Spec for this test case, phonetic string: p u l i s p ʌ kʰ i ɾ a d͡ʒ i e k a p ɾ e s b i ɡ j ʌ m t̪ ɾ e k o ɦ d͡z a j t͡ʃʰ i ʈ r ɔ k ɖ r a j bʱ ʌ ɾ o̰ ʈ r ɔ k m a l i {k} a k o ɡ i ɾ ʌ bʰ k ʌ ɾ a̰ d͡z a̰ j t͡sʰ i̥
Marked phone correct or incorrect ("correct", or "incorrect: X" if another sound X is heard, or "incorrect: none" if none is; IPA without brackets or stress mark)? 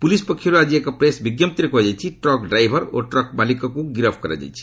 correct